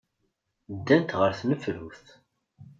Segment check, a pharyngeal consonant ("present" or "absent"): absent